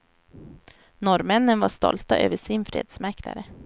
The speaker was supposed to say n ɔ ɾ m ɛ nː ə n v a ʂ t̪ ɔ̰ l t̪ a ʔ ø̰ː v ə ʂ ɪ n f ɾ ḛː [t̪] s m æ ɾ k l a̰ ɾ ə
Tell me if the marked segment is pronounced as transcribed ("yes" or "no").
no